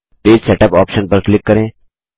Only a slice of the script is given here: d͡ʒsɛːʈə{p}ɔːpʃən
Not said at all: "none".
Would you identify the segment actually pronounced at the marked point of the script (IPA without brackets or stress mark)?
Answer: p